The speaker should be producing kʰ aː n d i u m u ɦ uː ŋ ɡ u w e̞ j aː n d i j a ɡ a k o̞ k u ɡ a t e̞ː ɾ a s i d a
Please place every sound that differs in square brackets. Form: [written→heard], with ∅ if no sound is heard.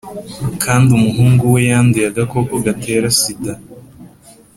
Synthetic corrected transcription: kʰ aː n d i u m u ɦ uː ŋ ɡ u w e̞ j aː n d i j a ɡ a k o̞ k [u→o] ɡ a t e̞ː ɾ a s i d a